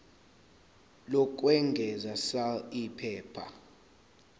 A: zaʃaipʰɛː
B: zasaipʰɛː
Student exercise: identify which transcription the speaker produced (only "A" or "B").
B